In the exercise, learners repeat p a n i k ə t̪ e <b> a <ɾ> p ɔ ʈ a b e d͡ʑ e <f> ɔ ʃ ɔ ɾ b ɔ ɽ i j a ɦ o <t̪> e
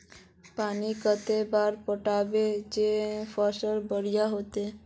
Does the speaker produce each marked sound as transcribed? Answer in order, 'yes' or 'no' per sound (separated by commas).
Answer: yes, yes, yes, yes